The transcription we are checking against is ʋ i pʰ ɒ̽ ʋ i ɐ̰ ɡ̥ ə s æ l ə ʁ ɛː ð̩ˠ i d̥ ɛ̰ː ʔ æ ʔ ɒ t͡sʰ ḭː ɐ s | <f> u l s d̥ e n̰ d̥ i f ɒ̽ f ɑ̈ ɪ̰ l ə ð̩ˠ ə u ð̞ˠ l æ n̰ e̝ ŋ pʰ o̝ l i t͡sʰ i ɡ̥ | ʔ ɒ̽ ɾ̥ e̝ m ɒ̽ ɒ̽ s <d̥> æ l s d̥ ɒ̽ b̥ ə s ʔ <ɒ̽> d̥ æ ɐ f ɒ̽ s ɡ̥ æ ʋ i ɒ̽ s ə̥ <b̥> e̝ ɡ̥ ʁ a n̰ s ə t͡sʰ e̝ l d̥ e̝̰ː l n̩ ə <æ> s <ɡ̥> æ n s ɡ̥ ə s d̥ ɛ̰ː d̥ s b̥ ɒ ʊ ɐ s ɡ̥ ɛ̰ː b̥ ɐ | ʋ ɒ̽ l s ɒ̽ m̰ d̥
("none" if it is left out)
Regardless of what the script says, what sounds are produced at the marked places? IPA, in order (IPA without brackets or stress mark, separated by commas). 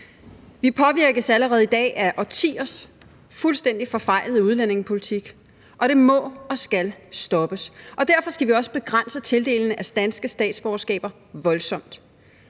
f, ɡ̥, ɒ̽, b̥, æ, d̥